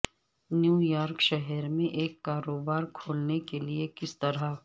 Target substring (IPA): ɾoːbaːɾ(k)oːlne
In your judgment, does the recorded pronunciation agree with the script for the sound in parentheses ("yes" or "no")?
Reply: no